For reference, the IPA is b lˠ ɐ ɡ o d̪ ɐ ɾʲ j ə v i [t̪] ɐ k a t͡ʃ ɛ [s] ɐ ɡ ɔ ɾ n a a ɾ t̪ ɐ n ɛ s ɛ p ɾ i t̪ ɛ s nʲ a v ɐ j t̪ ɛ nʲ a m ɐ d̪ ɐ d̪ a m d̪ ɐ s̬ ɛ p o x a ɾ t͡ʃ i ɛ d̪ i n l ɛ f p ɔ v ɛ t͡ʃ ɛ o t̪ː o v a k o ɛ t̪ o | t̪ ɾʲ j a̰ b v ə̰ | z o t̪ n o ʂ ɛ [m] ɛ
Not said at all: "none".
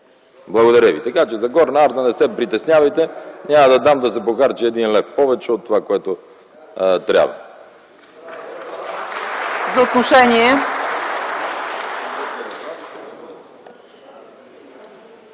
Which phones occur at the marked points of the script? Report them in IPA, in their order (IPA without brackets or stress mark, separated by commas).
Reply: t̪, z, ɲ